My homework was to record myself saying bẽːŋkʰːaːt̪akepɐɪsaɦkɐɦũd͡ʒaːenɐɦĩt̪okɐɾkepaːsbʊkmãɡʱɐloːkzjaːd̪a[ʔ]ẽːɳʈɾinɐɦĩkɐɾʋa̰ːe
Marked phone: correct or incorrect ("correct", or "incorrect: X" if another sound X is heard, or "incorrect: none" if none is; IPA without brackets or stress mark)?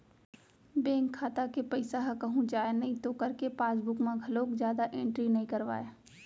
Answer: correct